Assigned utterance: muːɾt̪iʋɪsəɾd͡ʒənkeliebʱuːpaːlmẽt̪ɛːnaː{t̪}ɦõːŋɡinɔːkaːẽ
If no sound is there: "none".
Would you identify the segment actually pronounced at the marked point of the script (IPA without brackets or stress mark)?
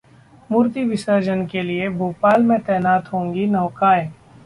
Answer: t̪